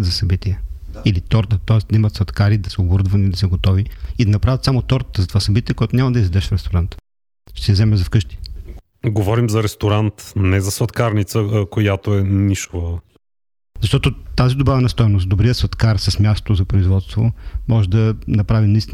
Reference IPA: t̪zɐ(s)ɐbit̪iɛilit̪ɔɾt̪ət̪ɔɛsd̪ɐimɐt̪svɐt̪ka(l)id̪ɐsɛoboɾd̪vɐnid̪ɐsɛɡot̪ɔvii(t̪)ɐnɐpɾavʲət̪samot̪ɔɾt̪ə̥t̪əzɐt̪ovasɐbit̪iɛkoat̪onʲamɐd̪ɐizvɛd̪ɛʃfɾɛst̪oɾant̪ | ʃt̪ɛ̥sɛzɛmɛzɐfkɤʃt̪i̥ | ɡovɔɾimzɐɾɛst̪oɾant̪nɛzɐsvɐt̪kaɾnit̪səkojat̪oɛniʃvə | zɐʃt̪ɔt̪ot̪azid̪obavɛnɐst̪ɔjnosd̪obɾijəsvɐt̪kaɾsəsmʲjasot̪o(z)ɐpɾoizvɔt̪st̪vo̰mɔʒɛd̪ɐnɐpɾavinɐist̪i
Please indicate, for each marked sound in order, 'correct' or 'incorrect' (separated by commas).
correct, incorrect, incorrect, correct